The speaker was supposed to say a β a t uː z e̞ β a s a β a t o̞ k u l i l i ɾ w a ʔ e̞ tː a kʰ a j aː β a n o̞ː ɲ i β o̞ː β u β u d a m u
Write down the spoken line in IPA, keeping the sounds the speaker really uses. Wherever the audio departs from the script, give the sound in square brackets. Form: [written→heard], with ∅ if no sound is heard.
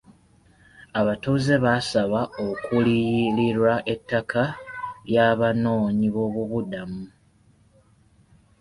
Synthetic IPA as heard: a β a t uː z e̞ β a s a β a [t→∅] o̞ k u l i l i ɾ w a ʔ e̞ tː a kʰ a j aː β a n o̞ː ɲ i β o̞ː β u β u d a m u

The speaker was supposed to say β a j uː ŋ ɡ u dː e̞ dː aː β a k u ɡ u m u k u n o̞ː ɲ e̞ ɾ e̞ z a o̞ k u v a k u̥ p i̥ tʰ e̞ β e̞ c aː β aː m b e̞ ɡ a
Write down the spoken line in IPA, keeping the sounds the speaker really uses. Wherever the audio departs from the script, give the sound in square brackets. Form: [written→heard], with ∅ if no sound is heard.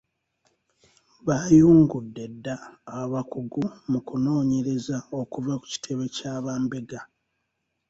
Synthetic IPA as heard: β a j uː ŋ ɡ u dː e̞ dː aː β a k u ɡ u m u k u n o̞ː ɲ e̞ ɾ e̞ z a o̞ k u v a k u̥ [p→c] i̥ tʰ e̞ β e̞ c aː β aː m b e̞ ɡ a

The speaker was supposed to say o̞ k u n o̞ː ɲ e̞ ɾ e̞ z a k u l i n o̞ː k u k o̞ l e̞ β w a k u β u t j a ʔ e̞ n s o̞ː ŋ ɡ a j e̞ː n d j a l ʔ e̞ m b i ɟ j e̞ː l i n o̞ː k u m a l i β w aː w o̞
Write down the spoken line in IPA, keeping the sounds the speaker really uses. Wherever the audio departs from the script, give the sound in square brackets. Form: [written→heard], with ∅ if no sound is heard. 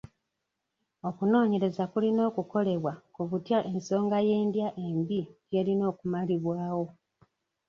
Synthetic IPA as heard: o̞ k u n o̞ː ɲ e̞ ɾ e̞ z a k u l i n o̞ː k u k o̞ l e̞ β w a k u β u t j a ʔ e̞ n s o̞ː ŋ ɡ a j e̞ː n d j a [l→∅] ʔ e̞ m b i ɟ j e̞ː l i n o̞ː k u m a l i β w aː w o̞

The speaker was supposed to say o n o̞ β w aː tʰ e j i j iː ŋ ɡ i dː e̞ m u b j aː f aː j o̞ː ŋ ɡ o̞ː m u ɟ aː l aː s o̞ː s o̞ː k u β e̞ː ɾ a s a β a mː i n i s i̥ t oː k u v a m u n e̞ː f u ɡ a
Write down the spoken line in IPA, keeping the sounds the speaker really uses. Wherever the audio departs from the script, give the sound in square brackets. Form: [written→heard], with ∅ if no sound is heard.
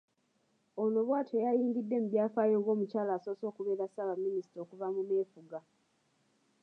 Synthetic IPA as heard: o n o̞ β w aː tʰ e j [i→a] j iː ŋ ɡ i dː e̞ m u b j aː f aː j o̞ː ŋ ɡ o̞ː m u [ɟ→c] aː l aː s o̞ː s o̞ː k u β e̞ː ɾ a s a β a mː i n i s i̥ t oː k u v a m u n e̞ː f u ɡ a

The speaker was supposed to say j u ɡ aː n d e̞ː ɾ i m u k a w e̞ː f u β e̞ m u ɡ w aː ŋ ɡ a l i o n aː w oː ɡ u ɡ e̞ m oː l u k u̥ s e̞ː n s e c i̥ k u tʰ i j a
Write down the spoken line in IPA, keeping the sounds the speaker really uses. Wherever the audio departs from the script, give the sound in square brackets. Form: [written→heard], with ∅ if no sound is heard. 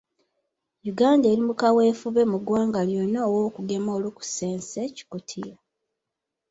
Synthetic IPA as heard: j u ɡ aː n d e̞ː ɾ i m u k a w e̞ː f u β e̞ m u ɡ w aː ŋ ɡ a l [i→j] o n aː w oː [ɡ→k] u ɡ e̞ m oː l u k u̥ s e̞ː n s e c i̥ k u tʰ i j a

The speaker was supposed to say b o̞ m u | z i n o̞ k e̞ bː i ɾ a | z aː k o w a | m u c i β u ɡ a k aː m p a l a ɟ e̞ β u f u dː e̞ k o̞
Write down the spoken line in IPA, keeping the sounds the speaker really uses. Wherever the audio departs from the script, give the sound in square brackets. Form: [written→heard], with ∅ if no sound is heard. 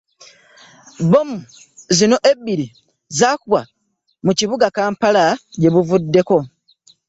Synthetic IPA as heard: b o̞ m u | z i n o̞ [k→ʔ] e̞ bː i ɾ [a→i] | z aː k [o→u] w a | m u c i β u ɡ a k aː m p a l a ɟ e̞ β u [f→v] u dː e̞ k o̞

